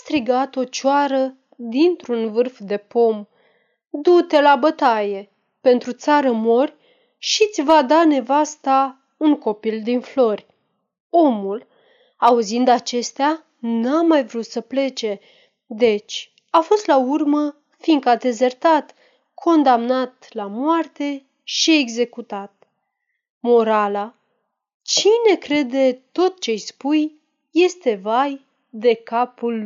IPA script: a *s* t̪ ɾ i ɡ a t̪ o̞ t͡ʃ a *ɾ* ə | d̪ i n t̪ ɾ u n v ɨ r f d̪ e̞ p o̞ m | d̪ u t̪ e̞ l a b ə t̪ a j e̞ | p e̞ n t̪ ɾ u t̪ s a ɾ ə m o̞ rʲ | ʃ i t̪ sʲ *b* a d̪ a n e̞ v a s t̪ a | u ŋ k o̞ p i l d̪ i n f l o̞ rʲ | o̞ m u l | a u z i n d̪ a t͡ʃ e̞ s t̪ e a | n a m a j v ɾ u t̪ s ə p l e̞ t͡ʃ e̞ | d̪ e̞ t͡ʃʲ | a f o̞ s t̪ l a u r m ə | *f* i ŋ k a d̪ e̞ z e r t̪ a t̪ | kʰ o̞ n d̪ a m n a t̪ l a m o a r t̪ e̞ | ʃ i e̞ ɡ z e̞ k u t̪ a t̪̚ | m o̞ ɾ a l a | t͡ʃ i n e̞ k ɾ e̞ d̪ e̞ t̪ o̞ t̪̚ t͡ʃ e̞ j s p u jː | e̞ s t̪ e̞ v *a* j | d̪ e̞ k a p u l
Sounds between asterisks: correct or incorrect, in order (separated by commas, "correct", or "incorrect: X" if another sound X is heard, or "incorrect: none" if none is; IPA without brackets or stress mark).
correct, correct, incorrect: v, correct, correct